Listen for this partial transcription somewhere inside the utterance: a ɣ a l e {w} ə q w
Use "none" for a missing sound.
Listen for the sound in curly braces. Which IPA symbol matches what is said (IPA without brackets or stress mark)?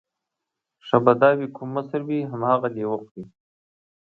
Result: w